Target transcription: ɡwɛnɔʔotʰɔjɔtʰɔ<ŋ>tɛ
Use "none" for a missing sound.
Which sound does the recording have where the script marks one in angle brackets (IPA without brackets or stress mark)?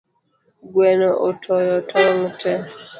ŋ